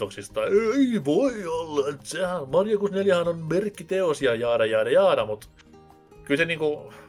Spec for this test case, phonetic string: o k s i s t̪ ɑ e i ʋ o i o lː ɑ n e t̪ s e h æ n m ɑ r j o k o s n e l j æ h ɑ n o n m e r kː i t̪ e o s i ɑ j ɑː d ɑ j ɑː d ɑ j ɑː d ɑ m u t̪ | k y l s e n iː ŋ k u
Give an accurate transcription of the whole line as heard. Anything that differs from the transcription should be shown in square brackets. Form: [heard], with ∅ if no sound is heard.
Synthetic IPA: o k s i s t̪ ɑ e i ʋ o i o lː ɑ [∅] e t̪ s e h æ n m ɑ r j o k [u] s n e l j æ h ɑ n o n m e r kː i t̪ e o s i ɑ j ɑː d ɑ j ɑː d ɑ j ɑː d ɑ m u t̪ | k y l s e n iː ŋ k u